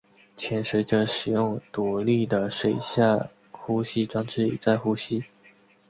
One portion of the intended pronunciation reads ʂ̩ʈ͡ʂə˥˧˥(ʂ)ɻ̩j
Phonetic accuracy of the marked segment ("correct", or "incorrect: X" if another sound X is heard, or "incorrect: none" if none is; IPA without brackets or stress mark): correct